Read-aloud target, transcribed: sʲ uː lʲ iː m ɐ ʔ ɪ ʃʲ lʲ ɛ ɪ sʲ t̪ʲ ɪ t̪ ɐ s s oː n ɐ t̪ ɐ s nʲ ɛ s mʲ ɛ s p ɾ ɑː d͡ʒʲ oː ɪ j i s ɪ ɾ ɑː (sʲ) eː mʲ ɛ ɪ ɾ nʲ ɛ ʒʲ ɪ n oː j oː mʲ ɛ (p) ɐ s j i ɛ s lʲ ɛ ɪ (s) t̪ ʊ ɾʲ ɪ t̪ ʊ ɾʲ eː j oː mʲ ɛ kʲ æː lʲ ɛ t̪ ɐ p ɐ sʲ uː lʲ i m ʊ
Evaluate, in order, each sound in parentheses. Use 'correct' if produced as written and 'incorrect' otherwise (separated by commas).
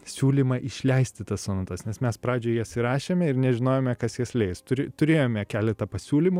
incorrect, incorrect, correct